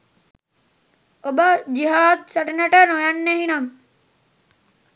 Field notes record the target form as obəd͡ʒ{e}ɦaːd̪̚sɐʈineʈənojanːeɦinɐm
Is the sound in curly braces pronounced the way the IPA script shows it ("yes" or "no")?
no